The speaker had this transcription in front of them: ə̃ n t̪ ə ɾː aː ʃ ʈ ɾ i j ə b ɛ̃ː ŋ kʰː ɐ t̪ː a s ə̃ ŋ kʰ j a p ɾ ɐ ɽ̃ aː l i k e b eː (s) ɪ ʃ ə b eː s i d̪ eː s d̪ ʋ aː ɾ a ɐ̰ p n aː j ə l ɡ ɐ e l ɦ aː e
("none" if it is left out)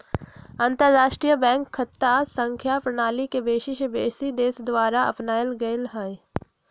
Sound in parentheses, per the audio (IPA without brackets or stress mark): ʃ